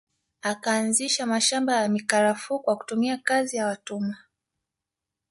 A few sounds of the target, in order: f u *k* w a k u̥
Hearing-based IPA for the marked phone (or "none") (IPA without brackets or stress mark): k